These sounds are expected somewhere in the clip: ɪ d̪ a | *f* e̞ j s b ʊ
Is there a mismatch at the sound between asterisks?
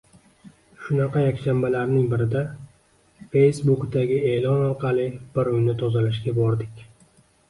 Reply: no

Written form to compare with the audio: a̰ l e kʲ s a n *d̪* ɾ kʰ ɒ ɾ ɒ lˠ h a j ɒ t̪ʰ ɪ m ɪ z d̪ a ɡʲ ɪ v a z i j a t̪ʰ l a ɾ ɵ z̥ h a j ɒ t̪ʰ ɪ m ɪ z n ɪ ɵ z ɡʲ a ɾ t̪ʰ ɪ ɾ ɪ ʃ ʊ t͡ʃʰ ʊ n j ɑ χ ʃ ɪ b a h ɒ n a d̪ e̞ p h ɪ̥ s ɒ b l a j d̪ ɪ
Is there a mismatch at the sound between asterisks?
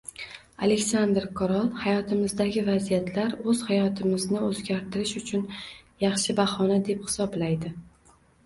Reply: no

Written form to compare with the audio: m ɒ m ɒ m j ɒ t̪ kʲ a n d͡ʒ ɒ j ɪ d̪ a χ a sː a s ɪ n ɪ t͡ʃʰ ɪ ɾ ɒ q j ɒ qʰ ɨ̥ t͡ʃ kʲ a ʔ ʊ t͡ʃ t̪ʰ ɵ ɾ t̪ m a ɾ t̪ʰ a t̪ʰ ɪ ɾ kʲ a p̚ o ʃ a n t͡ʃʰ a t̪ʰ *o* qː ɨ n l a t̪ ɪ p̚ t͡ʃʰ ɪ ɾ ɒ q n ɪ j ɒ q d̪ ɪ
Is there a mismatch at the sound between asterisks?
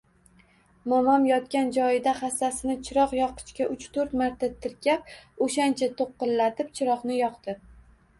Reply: no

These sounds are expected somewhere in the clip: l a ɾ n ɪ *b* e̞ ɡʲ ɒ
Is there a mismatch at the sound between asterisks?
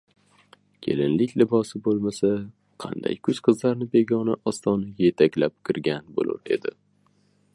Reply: no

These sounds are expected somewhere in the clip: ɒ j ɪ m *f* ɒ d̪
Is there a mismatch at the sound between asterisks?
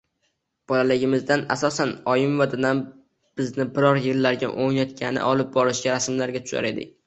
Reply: yes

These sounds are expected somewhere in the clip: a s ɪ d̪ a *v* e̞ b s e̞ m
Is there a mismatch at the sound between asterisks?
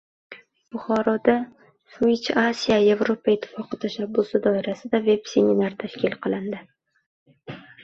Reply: no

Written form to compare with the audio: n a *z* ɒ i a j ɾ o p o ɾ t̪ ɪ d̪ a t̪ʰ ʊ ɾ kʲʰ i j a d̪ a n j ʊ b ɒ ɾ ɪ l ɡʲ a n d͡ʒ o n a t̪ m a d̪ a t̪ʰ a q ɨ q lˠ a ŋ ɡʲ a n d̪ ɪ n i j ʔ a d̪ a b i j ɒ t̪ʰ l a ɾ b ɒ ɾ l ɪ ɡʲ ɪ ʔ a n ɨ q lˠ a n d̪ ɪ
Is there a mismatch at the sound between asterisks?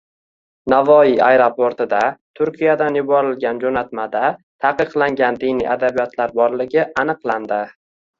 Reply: yes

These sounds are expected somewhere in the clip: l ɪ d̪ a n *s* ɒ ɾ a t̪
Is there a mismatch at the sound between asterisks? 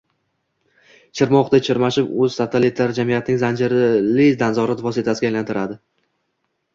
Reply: yes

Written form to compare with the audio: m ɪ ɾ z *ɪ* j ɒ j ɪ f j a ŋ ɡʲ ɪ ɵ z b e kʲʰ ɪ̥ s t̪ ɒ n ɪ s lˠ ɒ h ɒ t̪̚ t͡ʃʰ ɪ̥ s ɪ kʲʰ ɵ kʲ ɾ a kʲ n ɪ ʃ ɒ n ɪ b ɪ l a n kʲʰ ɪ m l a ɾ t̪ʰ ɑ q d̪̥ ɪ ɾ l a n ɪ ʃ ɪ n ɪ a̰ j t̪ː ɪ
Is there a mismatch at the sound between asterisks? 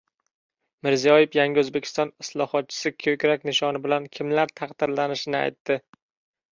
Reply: yes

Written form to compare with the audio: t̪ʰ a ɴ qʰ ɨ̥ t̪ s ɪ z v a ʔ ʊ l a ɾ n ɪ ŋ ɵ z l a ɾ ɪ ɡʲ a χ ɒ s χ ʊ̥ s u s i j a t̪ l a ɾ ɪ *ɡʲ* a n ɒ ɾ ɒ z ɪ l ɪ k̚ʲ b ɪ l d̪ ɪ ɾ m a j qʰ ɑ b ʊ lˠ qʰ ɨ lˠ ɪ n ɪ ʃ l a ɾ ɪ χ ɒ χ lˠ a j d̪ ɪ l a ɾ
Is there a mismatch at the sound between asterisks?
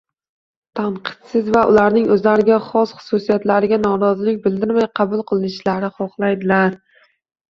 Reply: no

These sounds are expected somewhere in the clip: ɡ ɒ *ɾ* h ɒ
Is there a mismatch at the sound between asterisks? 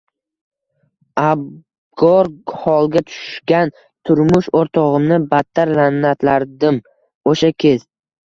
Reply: no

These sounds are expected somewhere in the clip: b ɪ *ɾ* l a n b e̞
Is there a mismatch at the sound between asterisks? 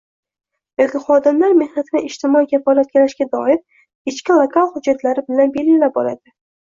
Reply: yes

